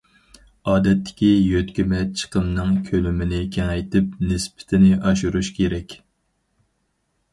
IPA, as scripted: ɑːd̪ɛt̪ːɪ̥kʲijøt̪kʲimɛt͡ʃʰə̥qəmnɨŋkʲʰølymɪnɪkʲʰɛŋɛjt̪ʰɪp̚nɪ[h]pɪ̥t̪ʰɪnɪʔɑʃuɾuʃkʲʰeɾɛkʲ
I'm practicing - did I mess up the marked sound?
yes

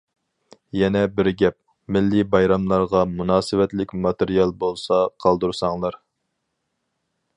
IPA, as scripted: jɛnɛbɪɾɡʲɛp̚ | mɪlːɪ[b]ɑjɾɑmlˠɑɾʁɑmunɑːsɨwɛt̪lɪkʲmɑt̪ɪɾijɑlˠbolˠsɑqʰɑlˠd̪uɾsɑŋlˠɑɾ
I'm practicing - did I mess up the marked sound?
no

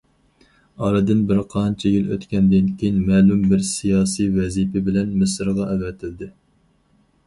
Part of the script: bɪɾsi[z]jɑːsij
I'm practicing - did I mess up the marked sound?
yes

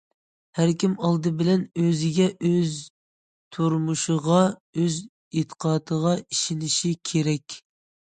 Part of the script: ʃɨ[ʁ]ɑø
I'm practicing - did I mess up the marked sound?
no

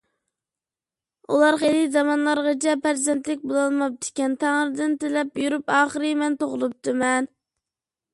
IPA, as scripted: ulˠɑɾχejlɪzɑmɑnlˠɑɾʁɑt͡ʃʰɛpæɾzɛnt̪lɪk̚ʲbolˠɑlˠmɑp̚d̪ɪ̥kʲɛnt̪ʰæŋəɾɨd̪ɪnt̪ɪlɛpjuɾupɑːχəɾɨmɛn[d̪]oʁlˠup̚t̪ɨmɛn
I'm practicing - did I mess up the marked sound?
yes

